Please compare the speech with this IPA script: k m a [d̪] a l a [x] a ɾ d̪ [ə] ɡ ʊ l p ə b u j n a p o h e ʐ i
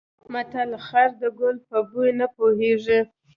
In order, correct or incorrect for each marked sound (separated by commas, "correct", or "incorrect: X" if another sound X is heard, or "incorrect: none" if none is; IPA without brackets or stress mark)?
incorrect: t̪, correct, correct